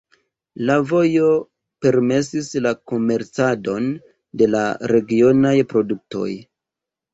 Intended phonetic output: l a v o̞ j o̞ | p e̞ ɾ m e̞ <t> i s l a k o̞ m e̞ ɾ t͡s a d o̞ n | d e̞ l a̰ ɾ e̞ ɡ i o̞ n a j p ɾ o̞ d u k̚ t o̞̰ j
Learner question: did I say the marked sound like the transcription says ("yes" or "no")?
no